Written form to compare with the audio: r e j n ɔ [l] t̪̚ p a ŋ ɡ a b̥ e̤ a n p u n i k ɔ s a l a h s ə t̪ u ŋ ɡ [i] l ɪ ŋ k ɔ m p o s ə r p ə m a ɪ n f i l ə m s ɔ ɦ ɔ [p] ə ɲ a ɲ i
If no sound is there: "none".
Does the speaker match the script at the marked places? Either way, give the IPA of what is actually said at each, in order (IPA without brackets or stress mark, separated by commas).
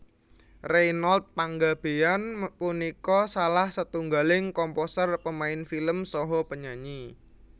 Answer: l, a, p